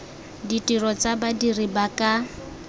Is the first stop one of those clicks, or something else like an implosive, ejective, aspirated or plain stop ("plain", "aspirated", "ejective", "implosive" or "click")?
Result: plain